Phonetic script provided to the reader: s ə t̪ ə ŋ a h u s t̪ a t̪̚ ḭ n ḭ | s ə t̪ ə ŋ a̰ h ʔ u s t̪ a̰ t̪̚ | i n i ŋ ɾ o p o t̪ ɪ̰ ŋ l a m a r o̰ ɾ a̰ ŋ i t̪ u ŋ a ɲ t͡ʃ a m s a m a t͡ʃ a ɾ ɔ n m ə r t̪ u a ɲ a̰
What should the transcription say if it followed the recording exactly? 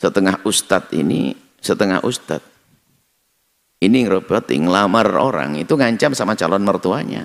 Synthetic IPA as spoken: s ə t̪ ə ŋ a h u s t̪ a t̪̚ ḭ n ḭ | s ə t̪ ə ŋ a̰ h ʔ u s t̪ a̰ t̪̚ | i n i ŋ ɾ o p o t̪ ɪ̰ ŋ l a m a r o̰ ɾ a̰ ŋ i t̪ u ŋ a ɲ t͡ʃ a m s a m a t͡ʃ a l ɔ n m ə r t̪ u a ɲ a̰